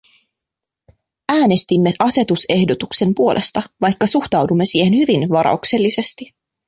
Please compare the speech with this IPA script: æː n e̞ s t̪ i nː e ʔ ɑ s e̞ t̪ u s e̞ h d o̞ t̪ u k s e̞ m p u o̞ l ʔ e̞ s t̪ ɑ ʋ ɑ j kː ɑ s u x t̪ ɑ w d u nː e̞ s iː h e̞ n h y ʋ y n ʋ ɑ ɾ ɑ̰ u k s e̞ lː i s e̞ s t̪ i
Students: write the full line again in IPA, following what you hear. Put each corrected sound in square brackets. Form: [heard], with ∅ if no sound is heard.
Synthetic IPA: æː n e̞ s t̪ i [mː] e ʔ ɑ s e̞ t̪ u s e̞ h d o̞ t̪ u k s e̞ m p u o̞ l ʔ e̞ s t̪ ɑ ʋ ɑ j kː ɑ s u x t̪ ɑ w d u [mː] e̞ s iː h e̞ n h y ʋ [i] n ʋ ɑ ɾ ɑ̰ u k s e̞ lː i s e̞ s t̪ i